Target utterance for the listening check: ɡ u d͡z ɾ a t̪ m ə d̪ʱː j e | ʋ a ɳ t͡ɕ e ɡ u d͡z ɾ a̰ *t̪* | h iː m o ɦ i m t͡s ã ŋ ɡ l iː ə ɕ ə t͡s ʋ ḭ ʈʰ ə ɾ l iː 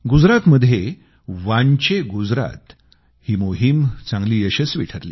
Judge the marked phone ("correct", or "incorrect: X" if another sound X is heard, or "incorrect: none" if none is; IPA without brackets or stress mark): correct